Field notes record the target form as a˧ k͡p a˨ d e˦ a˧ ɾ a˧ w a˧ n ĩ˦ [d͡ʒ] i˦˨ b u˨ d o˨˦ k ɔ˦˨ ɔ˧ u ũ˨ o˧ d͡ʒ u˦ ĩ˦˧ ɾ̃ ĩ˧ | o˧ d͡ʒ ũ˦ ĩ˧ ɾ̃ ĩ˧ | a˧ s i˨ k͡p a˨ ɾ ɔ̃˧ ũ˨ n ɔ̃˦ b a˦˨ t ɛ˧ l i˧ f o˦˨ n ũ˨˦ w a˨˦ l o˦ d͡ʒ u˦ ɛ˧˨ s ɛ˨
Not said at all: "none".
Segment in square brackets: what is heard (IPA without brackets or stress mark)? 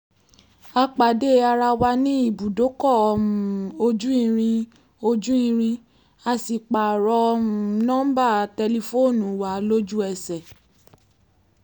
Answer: none